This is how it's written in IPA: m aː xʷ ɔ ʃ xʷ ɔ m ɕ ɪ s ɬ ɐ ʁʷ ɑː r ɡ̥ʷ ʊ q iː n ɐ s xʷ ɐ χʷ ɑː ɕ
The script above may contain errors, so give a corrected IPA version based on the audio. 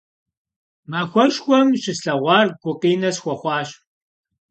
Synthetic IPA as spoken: m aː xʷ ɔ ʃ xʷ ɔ m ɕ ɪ s ɬ ɐ ʁʷ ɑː r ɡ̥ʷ ʊ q iː n ɐ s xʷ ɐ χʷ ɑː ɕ